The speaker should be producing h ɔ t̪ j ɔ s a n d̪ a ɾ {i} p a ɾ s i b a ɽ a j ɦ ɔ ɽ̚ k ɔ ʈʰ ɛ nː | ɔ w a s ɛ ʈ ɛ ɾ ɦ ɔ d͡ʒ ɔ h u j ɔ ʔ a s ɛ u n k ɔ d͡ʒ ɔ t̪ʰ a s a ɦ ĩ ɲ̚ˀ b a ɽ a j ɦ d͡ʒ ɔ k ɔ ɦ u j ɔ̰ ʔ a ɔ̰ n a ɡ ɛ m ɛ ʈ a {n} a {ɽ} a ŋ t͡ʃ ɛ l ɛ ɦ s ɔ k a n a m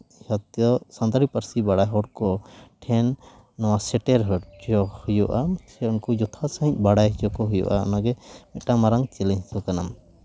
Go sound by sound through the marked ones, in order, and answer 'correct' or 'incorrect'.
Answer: correct, incorrect, incorrect

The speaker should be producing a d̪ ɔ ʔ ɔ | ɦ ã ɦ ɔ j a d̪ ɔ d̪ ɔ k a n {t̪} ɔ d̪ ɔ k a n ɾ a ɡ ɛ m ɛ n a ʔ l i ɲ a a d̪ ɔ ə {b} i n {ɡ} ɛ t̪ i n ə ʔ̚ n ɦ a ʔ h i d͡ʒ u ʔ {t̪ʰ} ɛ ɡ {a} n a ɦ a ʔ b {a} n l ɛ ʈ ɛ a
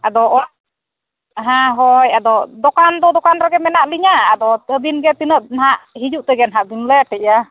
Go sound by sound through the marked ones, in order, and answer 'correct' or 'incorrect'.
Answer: incorrect, correct, correct, incorrect, incorrect, incorrect

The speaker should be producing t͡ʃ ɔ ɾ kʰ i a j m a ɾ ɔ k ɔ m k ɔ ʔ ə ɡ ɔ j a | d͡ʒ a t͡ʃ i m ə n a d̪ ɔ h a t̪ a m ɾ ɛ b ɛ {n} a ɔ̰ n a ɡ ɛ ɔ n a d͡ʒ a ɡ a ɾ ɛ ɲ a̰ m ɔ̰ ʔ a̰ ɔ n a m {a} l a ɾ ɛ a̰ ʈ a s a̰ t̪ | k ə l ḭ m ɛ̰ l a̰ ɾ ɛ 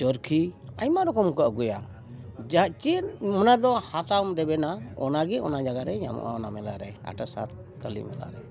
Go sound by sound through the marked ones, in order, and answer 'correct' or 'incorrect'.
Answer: correct, incorrect

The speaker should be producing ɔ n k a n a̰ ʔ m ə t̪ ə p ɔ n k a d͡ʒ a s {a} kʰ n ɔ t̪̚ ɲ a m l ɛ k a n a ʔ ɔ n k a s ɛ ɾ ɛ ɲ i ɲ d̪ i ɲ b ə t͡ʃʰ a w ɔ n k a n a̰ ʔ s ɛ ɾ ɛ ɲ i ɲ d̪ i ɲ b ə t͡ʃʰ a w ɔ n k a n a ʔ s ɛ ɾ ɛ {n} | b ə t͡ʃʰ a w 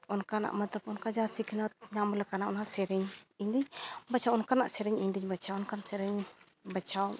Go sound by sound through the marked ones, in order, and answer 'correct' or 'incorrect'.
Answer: incorrect, incorrect

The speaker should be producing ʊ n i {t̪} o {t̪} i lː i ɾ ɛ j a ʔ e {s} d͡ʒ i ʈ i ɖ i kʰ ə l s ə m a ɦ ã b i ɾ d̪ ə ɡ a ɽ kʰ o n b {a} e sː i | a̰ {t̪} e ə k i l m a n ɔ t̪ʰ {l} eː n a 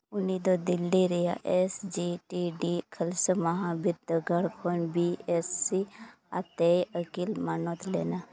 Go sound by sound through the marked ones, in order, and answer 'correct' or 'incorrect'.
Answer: incorrect, incorrect, correct, incorrect, correct, correct

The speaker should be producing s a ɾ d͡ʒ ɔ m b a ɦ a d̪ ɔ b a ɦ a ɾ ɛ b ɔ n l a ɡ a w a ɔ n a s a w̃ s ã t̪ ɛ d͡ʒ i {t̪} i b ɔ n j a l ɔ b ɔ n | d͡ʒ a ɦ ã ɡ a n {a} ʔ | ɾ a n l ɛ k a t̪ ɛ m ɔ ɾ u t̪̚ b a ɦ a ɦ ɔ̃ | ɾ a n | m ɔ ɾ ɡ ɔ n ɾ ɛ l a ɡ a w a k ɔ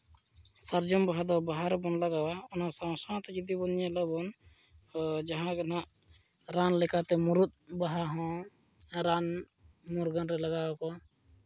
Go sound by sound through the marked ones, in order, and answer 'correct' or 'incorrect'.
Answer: incorrect, correct

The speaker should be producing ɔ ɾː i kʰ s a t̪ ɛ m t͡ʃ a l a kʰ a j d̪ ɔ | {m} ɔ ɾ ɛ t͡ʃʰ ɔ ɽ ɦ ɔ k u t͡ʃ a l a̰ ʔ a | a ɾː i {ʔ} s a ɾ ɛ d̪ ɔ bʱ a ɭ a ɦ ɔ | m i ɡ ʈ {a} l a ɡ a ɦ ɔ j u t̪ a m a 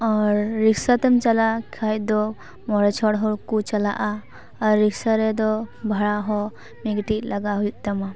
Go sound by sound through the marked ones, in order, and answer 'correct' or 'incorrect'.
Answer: correct, incorrect, incorrect

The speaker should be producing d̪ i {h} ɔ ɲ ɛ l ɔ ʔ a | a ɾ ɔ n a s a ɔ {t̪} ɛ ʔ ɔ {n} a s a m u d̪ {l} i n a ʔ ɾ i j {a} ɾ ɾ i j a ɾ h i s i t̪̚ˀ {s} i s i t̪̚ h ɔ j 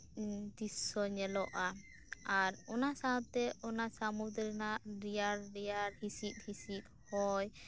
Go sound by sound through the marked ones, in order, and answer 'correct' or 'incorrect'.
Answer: incorrect, correct, correct, incorrect, correct, incorrect

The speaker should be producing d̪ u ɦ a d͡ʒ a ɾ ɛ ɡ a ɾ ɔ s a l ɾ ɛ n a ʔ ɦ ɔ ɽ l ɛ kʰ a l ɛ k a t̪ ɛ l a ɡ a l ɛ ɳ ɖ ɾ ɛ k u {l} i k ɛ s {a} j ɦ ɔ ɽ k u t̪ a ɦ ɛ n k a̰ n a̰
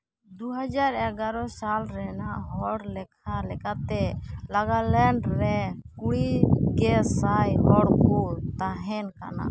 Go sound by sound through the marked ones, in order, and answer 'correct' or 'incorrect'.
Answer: incorrect, correct

